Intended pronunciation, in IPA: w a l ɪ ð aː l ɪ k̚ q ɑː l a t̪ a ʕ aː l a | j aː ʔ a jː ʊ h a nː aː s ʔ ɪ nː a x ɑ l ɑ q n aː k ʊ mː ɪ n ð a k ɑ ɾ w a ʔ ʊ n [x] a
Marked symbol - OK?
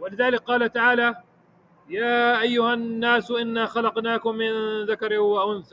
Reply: no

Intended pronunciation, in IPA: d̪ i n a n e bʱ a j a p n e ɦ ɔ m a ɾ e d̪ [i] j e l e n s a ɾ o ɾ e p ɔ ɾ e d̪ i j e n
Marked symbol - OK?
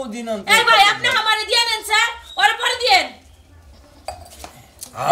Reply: yes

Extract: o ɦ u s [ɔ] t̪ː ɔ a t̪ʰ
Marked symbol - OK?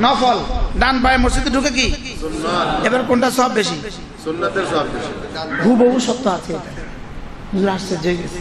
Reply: yes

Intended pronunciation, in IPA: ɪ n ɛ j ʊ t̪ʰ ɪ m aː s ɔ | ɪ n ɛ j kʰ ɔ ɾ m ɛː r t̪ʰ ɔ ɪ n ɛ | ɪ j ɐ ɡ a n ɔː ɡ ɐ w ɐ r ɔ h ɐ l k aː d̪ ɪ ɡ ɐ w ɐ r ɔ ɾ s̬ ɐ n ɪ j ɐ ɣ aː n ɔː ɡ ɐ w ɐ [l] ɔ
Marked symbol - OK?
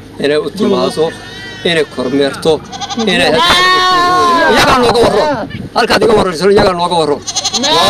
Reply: no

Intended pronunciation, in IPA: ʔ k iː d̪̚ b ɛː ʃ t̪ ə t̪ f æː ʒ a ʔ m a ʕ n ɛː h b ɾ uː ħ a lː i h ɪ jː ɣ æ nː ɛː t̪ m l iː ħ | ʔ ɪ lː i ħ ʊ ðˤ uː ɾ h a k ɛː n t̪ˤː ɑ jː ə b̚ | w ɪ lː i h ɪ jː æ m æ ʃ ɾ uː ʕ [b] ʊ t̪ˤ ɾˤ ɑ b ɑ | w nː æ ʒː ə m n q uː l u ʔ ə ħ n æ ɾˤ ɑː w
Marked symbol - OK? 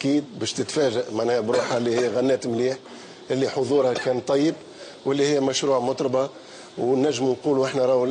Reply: no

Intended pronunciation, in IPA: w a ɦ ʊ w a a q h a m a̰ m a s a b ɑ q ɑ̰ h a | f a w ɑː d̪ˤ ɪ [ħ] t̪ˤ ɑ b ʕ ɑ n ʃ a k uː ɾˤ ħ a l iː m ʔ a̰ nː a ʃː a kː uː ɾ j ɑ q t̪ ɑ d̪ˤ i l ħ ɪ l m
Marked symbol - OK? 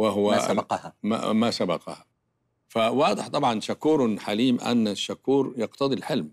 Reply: yes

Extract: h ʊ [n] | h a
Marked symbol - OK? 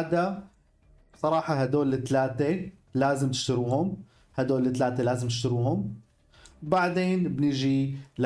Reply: no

